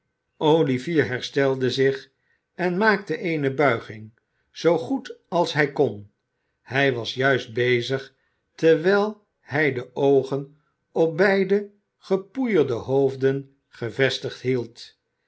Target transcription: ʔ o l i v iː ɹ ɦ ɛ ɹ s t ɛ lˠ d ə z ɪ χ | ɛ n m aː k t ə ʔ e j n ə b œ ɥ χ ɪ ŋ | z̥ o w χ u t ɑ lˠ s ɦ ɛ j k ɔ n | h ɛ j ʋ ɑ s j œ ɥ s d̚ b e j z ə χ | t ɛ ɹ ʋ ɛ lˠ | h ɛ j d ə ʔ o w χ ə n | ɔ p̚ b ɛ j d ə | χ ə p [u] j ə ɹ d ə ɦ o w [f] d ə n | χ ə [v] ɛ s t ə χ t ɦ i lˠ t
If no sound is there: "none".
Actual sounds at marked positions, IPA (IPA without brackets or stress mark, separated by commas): u, v, v